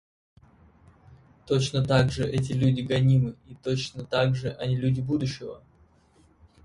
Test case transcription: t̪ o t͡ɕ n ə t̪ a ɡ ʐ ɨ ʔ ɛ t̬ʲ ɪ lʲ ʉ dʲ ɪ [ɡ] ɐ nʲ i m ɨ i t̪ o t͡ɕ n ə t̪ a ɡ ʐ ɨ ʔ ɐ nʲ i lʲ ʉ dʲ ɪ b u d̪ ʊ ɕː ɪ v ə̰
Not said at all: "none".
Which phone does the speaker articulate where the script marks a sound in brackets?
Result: ɡ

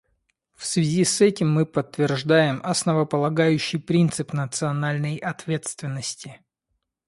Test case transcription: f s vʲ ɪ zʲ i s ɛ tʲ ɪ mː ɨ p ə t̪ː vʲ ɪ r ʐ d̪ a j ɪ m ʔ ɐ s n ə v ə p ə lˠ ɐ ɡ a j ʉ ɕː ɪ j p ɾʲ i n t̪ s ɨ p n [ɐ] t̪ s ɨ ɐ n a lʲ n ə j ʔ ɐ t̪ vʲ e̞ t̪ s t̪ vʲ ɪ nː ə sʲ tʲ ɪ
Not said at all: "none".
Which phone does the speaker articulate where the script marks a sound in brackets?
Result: ə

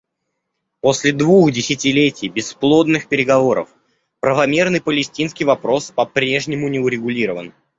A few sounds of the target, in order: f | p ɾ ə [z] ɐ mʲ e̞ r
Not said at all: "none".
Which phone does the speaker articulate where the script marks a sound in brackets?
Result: v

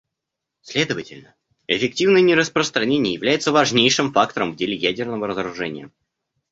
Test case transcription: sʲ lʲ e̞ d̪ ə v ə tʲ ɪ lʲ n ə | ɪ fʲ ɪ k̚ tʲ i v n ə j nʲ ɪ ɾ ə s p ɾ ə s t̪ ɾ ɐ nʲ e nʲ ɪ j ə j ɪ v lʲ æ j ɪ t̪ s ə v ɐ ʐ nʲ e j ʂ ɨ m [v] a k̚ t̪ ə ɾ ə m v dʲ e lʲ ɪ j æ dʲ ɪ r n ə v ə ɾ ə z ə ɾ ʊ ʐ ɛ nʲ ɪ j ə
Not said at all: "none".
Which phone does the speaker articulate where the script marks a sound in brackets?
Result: f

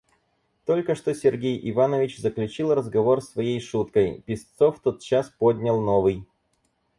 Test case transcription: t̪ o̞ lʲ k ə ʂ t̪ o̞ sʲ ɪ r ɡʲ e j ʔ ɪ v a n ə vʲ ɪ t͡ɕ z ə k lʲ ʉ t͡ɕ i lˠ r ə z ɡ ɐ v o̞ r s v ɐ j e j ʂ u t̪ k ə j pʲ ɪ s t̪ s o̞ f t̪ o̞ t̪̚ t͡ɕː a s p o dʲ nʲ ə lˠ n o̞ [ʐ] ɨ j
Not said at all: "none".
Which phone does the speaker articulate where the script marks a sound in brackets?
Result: v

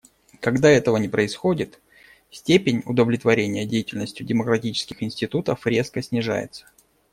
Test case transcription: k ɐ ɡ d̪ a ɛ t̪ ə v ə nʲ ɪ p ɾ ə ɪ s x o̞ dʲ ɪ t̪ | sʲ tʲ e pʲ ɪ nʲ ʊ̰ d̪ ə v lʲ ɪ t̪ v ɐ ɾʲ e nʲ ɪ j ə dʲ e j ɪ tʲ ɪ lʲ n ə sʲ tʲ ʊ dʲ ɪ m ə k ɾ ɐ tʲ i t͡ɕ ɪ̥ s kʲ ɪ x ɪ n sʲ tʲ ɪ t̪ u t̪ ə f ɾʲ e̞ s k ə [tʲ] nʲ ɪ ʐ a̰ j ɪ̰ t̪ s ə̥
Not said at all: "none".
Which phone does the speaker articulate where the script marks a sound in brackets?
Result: sʲ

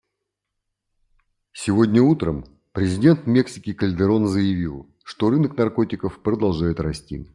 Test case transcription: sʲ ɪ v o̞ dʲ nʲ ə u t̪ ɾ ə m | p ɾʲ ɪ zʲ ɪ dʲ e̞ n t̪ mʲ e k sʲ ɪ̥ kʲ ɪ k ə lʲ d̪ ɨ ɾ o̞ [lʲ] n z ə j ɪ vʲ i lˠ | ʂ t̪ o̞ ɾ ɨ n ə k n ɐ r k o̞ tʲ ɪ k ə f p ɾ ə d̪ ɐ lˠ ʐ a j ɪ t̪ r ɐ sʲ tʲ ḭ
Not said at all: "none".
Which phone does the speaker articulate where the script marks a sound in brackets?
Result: none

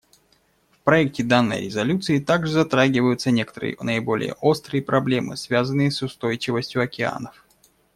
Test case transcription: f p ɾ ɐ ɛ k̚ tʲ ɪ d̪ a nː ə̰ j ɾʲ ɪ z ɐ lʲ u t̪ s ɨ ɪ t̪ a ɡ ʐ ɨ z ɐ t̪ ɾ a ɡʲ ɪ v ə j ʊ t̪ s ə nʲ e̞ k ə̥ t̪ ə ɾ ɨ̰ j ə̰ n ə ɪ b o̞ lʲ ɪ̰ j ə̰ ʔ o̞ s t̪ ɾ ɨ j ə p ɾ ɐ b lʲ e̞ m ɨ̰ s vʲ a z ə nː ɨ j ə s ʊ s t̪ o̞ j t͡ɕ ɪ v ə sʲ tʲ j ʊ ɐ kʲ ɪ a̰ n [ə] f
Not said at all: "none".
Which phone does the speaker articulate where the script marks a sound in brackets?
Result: ə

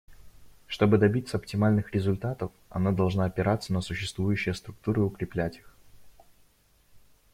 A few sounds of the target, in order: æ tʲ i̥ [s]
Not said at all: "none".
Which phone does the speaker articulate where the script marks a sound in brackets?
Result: x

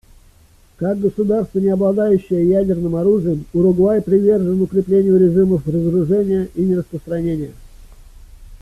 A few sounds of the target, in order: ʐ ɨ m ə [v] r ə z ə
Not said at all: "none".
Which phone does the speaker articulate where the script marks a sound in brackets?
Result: f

